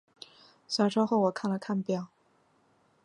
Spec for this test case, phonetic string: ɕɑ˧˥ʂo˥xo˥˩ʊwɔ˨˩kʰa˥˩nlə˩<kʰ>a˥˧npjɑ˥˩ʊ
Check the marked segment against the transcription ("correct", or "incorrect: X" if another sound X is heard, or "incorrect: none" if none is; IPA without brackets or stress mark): correct